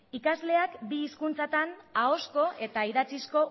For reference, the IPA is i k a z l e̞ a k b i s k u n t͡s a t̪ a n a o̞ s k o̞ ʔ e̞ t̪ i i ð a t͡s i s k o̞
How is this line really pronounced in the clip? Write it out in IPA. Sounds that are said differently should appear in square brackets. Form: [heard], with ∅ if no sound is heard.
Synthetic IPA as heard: i k a z l e̞ a k b [iː] s k u n t͡s a t̪ a n a o̞ s k o̞ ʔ e̞ t̪ [a] i ð a t͡s i s k o̞